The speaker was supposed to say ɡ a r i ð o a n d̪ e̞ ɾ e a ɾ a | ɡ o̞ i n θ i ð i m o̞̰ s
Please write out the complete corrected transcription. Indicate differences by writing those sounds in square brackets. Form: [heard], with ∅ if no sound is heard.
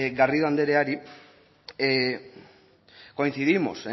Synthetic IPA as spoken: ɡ a r i ð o a n d̪ e̞ ɾ e a ɾ [i] | [k] o̞ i n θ i ð i m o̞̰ s